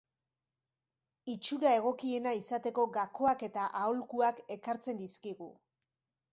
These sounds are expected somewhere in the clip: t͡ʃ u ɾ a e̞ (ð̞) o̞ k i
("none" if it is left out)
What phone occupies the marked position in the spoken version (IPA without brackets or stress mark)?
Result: ɣ̞